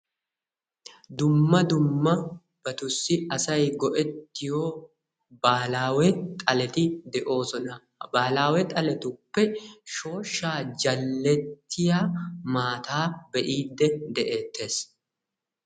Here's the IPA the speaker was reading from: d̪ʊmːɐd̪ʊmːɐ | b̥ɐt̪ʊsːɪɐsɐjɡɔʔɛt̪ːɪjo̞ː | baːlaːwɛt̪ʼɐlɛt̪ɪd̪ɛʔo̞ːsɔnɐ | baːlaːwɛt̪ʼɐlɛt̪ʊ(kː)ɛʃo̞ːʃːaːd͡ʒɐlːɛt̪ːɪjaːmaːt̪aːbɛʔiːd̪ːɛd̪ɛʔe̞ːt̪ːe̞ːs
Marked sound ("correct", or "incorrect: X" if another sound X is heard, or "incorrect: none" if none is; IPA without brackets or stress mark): incorrect: pː